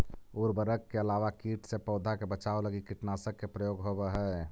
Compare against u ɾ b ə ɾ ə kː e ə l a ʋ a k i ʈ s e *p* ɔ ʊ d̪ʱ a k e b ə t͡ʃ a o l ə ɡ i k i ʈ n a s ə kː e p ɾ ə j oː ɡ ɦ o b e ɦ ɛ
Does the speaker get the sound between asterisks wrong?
no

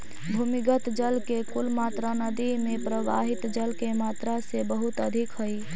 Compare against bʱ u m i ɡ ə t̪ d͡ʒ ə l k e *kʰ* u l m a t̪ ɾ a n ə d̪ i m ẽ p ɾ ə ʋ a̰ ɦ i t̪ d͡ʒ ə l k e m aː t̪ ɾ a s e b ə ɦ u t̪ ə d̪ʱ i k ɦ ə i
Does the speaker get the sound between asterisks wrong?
yes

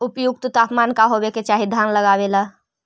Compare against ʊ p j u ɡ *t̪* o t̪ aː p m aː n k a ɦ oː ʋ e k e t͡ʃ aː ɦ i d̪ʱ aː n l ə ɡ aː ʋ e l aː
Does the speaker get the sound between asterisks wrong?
no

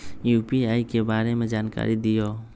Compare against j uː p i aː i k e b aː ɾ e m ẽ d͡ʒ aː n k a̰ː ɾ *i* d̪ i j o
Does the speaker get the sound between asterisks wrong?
no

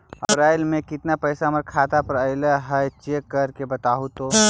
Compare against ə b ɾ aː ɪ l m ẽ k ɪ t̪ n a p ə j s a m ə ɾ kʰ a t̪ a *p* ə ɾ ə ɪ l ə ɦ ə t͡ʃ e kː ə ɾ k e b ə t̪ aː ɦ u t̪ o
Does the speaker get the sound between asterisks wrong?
no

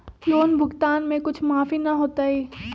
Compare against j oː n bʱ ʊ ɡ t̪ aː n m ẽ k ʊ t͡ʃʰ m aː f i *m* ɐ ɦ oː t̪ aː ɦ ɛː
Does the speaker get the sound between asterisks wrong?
yes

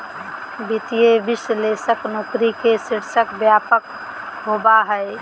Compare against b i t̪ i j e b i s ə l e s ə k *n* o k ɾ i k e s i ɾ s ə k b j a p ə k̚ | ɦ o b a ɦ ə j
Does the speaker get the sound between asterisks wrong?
no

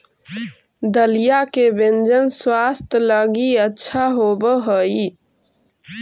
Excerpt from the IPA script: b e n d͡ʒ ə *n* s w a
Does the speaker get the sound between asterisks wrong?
no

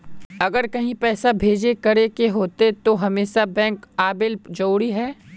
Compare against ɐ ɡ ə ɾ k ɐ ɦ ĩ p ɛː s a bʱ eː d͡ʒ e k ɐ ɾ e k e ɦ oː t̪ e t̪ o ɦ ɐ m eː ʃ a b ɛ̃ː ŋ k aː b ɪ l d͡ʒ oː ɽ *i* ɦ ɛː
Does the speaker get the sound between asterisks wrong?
no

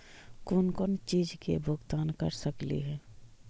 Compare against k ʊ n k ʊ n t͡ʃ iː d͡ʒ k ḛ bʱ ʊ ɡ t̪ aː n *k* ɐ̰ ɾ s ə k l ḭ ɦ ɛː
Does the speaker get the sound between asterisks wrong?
no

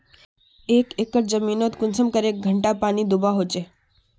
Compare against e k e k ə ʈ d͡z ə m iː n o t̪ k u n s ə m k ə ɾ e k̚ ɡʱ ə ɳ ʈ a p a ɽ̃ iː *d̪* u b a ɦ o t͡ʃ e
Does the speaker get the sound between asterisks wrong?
no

